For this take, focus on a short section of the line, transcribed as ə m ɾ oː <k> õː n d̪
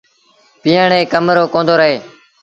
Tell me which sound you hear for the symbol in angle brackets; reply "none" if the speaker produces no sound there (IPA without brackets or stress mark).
k